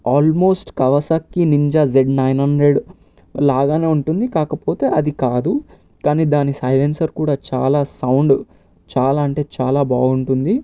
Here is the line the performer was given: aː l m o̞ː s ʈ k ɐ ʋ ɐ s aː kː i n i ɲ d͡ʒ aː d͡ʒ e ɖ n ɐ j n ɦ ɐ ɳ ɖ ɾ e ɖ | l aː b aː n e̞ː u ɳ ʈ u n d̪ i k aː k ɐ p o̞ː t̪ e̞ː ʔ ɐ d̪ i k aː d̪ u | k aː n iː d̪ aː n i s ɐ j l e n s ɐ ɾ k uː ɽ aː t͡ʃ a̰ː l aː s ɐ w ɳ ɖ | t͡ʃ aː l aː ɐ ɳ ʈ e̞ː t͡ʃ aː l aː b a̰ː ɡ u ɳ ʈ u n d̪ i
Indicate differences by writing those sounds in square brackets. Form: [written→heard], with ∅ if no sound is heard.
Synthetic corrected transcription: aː l m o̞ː s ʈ k ɐ ʋ ɐ s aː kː i n i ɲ d͡ʒ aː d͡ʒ e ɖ n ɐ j n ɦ ɐ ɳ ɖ ɾ e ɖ | l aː [b→ɡ] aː n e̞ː u ɳ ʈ u n d̪ i k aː k ɐ p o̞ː t̪ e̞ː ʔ ɐ d̪ i k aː d̪ u | k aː n iː d̪ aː n i s ɐ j l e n s ɐ ɾ k uː ɽ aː t͡ʃ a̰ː l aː s ɐ w ɳ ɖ | t͡ʃ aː l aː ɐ ɳ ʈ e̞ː t͡ʃ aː l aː b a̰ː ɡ u ɳ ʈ u n d̪ i